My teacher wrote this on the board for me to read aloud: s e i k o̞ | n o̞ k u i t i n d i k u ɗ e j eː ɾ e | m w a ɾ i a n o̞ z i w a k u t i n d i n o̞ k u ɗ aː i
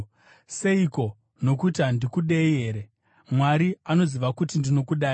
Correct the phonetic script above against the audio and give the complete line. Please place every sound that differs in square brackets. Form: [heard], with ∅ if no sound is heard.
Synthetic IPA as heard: s e i k o̞ | n o̞ k u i t [a] n d i k u ɗ e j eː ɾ e | m w a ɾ i a n o̞ z i [ʋ] a k u t i n d i n o̞ k u ɗ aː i